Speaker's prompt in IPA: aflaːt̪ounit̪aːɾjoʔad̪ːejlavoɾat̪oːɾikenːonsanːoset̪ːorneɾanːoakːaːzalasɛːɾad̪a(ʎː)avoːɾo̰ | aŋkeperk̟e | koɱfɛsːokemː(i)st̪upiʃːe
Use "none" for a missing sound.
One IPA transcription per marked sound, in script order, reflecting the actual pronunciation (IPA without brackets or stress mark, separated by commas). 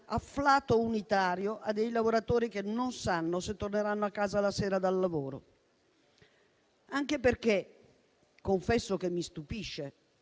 lː, i